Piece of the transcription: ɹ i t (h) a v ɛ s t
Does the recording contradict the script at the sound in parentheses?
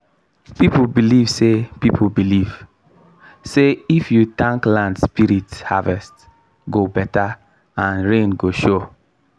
no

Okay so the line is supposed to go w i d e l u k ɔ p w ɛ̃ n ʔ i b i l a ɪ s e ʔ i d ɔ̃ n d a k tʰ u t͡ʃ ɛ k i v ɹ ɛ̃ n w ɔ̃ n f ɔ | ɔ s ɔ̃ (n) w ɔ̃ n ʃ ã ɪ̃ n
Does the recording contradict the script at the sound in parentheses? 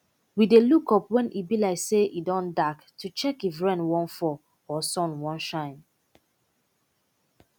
no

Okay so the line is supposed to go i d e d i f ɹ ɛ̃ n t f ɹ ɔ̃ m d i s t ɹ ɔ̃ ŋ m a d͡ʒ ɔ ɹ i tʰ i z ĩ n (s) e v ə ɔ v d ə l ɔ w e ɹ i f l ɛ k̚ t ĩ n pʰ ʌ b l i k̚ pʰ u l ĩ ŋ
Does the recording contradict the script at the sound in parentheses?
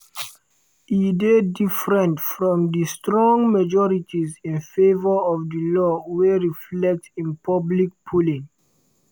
yes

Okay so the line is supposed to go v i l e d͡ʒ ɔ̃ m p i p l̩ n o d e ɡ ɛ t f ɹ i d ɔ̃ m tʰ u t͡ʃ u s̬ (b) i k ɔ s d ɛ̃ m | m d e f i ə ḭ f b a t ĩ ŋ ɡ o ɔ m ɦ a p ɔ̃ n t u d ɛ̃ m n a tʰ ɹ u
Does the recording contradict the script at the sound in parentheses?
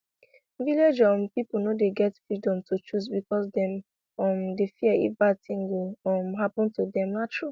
no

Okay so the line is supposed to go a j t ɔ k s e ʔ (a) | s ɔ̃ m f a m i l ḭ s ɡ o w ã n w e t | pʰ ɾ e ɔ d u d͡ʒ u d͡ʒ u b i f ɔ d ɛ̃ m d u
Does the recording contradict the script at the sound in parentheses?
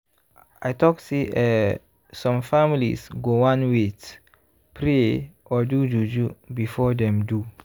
yes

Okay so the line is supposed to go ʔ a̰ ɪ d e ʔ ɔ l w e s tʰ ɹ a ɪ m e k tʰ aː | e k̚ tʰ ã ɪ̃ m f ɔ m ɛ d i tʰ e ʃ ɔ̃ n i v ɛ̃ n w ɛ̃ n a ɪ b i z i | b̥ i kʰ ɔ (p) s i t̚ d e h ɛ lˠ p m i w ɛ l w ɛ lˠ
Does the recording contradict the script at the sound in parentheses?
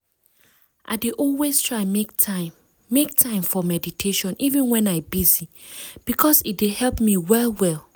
yes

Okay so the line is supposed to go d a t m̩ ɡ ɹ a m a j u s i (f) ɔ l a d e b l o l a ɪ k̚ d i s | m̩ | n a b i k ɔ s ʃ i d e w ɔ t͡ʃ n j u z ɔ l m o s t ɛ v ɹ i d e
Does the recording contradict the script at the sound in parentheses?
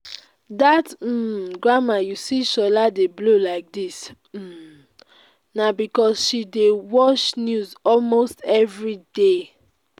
yes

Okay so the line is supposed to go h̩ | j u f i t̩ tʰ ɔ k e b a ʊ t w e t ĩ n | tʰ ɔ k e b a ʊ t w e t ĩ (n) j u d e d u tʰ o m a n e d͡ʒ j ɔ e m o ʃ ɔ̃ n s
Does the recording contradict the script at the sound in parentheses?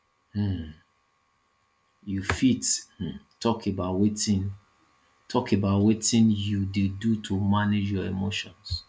no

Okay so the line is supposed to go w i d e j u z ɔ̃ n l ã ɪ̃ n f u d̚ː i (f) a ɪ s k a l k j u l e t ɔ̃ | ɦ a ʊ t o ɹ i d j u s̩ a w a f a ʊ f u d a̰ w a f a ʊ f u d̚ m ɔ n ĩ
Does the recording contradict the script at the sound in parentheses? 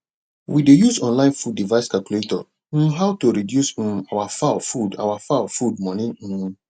yes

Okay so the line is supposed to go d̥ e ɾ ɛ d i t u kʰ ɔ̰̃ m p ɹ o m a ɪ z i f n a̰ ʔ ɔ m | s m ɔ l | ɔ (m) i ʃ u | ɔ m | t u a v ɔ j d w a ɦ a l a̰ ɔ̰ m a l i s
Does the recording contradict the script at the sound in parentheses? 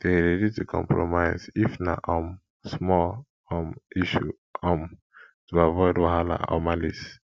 no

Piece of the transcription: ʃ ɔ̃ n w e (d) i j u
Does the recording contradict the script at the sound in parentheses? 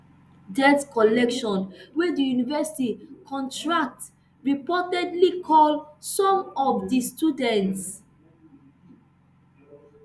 no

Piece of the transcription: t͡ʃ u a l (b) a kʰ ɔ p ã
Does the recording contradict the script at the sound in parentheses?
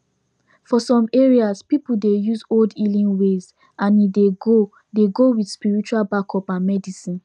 no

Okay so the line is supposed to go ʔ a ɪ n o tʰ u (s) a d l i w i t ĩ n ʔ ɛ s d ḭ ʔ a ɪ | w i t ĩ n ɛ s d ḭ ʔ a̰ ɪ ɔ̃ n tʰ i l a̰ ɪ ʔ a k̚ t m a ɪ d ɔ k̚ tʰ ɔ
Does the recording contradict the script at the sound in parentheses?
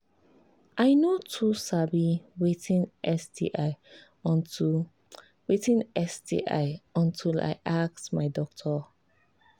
no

